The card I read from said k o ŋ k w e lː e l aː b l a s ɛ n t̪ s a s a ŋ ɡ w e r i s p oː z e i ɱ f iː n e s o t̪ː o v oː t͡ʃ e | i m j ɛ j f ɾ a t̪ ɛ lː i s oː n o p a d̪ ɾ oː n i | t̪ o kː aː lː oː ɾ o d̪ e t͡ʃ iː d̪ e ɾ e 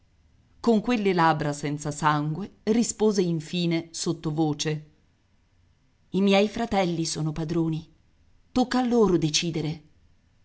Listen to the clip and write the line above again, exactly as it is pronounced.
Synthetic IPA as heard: k o ŋ k w e lː e l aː b ɾ a s ɛ n t̪ s a s a ŋ ɡ w e r i s p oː z e i ɱ f iː n e s o t̪ː o v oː t͡ʃ e | i m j ɛ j f ɾ a t̪ ɛ lː i s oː n o p a d̪ ɾ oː n i | t̪ o kː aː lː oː ɾ o d̪ e t͡ʃ iː d̪ e ɾ e